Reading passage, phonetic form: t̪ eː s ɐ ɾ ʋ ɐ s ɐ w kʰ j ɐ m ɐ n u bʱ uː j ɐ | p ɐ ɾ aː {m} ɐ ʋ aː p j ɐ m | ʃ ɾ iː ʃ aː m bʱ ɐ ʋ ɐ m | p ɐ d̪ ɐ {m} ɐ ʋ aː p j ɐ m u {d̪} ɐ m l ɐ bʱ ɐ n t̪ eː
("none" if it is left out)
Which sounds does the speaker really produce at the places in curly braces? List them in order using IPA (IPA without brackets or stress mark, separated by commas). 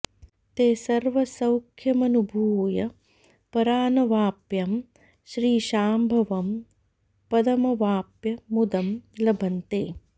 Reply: n, m, d̪